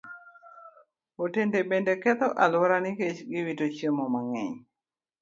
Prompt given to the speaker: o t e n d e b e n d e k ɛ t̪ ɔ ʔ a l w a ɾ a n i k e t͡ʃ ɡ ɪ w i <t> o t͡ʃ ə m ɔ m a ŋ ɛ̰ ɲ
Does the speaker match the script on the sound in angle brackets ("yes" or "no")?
yes